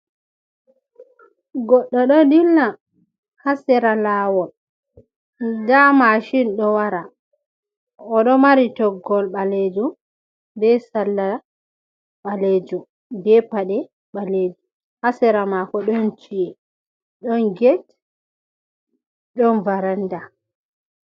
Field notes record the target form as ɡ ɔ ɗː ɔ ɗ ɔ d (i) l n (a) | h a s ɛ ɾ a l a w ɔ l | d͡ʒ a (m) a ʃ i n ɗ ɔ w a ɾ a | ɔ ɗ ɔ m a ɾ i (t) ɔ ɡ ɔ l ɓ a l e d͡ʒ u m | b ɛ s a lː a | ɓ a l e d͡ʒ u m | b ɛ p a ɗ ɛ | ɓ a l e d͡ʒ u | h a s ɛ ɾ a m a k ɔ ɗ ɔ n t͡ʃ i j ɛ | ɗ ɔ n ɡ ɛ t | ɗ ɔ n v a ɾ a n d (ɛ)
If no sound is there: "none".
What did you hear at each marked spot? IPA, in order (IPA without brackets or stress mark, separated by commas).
i, a, m, t, a